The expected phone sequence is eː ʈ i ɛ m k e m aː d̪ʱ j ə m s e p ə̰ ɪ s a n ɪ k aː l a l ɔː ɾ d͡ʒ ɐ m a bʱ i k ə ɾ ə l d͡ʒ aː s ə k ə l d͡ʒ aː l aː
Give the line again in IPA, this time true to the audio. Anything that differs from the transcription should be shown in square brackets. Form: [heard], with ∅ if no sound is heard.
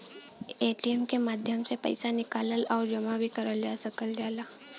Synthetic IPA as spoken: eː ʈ i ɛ m k e m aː d̪ʱ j ə m s e p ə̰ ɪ s a n ɪ k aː l [ə] l ɔː ɾ d͡ʒ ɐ m a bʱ i k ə ɾ ə l d͡ʒ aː s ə k ə l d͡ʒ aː l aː